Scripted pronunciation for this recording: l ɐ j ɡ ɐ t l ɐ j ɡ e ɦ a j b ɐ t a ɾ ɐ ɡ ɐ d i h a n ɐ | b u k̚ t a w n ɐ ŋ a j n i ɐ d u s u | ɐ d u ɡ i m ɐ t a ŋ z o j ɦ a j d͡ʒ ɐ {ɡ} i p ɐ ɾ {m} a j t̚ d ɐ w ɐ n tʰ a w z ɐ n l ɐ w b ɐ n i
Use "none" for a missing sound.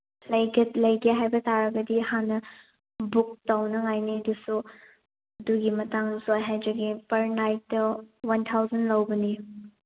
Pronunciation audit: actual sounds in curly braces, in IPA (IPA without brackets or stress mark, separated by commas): ɡ, n